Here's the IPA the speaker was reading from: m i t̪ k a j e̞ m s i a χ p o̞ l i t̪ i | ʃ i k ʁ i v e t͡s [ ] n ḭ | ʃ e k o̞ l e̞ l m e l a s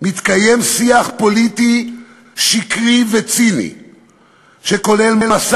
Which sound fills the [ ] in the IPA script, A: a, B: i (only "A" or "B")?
B